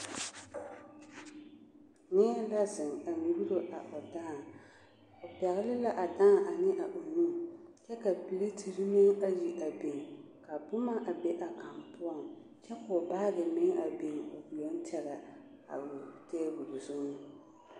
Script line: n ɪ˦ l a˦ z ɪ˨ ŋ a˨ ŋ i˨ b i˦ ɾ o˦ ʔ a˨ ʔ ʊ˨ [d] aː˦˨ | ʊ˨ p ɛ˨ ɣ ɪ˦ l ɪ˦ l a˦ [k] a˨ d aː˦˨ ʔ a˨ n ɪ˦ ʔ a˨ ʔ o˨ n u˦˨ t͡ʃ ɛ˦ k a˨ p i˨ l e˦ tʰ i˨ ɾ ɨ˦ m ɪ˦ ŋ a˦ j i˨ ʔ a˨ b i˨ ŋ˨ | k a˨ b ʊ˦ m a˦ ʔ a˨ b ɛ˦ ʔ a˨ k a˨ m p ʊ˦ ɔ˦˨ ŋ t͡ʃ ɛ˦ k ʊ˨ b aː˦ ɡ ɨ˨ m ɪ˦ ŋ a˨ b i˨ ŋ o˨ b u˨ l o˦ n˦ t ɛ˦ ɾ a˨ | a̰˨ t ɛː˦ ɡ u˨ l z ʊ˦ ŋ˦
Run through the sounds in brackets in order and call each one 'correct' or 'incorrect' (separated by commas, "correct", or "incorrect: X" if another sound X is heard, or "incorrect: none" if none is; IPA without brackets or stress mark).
correct, incorrect: ʔ